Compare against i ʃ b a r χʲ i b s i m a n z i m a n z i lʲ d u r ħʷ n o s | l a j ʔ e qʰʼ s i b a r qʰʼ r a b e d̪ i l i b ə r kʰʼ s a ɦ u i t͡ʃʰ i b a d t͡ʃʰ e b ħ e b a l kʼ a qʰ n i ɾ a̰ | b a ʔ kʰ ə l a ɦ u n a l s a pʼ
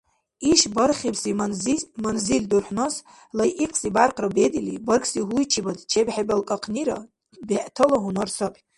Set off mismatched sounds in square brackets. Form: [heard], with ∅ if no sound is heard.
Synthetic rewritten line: i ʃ b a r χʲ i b s i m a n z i m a n z i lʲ d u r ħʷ n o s | l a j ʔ [i] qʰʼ s i b a r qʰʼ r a b e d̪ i l i b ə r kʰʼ s [i] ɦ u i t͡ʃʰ i b a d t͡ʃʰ e b ħ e b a l kʼ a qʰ n i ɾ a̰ | b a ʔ [tʰ] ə l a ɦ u n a [r] s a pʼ